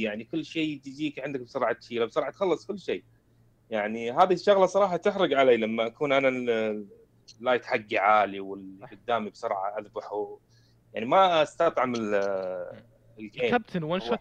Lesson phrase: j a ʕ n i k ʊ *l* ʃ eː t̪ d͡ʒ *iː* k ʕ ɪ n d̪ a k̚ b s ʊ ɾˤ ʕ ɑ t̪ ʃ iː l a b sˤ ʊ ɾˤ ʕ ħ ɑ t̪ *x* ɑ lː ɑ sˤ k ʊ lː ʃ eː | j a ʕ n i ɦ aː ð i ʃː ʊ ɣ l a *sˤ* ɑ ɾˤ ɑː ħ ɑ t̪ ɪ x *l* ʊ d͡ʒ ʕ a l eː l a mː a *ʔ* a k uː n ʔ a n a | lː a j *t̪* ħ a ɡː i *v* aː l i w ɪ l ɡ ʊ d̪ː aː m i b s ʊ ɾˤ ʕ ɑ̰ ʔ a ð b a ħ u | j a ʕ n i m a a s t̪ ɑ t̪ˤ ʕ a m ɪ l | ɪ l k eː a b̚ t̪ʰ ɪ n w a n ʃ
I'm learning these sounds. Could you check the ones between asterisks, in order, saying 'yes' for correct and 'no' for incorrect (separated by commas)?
no, yes, yes, yes, no, yes, yes, no